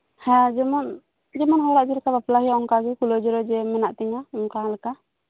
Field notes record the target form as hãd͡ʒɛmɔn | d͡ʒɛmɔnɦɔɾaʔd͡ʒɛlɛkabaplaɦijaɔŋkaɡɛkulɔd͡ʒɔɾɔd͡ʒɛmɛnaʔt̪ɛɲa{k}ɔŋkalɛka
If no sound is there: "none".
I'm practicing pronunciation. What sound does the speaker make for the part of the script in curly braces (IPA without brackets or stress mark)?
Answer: none